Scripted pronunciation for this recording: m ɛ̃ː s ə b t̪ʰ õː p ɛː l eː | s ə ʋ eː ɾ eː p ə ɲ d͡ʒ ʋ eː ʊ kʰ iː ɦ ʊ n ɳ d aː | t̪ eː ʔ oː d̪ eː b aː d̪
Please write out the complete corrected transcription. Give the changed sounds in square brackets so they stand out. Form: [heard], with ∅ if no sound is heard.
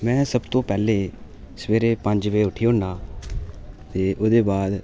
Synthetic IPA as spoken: m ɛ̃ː s ə b [t̪] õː p ɛː l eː | s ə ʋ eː ɾ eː p ə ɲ d͡ʒ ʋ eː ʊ [ʈʰ] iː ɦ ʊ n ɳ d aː | t̪ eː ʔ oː d̪ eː b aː d̪